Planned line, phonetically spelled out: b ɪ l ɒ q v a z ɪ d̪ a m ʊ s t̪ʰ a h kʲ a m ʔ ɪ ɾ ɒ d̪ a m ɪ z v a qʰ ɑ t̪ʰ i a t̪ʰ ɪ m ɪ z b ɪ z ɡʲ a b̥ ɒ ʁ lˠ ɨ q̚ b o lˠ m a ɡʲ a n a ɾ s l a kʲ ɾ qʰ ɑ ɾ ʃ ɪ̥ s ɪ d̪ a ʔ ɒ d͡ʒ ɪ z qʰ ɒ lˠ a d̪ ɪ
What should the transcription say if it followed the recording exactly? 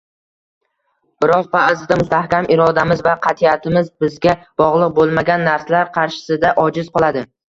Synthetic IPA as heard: b ɪ ɾ ɒ q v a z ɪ d̪ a m ʊ s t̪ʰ a h kʲ a m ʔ ɪ ɾ ɒ d̪ a m ɪ z v a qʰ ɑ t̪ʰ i a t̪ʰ ɪ m ɪ z b ɪ z ɡʲ a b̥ ɒ ʁ lˠ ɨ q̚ b o lˠ m a ɡʲ a nː a ɾ s l a ɾ qʰ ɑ ɾ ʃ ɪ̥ s ɪ d̪ a ʔ ɒ d͡ʒ ɪ z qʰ ɒ lˠ a d̪ ɪ